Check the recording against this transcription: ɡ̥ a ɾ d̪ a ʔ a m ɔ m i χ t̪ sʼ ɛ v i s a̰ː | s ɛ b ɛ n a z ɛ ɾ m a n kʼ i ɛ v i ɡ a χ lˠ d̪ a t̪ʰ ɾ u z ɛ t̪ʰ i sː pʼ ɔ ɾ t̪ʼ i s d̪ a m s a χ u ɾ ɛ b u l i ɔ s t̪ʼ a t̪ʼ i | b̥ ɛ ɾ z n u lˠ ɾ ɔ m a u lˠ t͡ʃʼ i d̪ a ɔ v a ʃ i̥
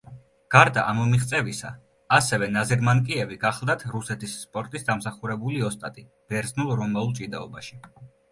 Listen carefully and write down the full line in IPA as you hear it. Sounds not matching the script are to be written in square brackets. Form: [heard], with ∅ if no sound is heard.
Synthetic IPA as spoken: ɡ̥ a ɾ d̪ a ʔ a m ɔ m i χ t̪ sʼ ɛ v i s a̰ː | s ɛ [v] ɛ n a z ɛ ɾ m a n kʼ i ɛ v i ɡ a χ lˠ d̪ a t̪ʰ ɾ u [s] ɛ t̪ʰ i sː pʼ ɔ ɾ t̪ʼ i s d̪ a m s a χ u ɾ ɛ b u l i ɔ s t̪ʼ a t̪ʼ i | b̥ ɛ ɾ z n u lˠ ɾ ɔ m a u lˠ t͡ʃʼ i d̪ a ɔ [b] a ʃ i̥